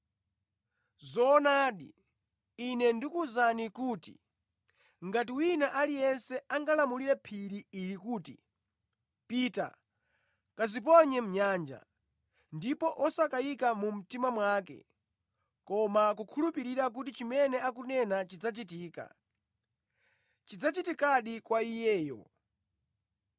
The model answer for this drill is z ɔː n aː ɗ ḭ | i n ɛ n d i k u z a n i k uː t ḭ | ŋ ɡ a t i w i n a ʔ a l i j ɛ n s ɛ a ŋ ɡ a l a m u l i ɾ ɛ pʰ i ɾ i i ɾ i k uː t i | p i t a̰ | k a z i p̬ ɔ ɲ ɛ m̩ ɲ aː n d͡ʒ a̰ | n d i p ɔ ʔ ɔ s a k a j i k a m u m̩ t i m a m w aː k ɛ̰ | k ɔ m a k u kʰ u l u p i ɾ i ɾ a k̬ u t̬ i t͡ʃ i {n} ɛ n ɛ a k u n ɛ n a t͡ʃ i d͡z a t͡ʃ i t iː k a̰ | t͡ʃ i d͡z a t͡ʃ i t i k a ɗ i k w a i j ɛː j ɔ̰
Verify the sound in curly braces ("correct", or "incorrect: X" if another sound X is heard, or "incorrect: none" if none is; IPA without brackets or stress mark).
incorrect: m